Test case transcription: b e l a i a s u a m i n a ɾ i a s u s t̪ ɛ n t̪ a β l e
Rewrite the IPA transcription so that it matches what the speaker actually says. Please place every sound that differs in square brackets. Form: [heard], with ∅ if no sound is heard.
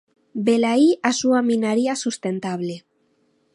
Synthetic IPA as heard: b e l a i a s u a m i n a ɾ i a s u s t̪ [e] n t̪ a β l e